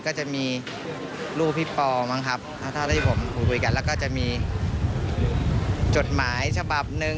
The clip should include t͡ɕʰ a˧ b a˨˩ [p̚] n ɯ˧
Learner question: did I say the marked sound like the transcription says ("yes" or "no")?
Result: yes